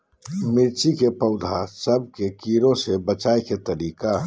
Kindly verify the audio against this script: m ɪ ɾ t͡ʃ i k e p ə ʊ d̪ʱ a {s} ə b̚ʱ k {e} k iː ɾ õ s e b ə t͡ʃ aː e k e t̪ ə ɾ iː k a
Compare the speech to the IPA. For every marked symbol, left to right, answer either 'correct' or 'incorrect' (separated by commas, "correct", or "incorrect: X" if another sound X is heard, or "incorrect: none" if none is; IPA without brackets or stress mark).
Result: correct, correct